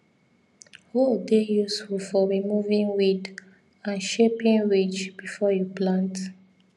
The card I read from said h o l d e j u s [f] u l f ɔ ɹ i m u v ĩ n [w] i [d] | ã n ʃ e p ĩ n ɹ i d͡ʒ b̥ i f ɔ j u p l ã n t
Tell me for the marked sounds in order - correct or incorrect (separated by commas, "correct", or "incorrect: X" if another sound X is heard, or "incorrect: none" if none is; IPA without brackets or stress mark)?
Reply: correct, correct, correct